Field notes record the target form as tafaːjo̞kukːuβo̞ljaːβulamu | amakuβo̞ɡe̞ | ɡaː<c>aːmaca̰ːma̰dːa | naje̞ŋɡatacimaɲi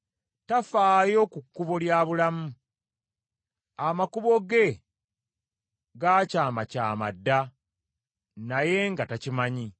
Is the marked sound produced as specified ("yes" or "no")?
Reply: yes